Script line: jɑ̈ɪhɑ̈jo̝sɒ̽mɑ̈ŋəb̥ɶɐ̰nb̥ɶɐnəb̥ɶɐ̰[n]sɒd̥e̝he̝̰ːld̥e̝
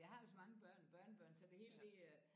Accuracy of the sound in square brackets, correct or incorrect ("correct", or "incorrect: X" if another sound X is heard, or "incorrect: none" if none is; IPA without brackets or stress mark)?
correct